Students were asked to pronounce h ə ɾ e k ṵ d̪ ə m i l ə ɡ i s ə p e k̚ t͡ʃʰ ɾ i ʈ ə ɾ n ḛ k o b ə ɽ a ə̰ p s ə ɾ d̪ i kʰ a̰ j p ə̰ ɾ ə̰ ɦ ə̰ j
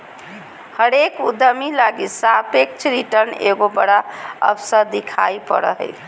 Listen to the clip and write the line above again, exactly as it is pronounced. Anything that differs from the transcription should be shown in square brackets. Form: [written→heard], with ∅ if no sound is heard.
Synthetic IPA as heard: h ə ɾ e k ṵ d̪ ə m i l [ə→a] ɡ i s [ə→a] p e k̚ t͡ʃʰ ɾ i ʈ ə ɾ n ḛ [k→ɡ] o b ə ɽ a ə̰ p s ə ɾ d̪ i kʰ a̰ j p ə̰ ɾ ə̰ ɦ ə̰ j